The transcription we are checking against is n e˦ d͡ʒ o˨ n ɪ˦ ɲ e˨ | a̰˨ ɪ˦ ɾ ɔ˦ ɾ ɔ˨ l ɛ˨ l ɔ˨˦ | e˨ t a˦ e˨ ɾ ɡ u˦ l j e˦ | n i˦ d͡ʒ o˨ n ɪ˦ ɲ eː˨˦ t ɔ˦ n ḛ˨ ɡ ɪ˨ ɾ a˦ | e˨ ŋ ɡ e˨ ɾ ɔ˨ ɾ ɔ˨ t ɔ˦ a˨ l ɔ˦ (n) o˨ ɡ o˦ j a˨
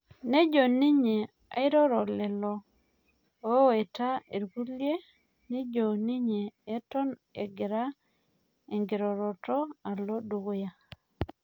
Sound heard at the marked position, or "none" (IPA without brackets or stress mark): d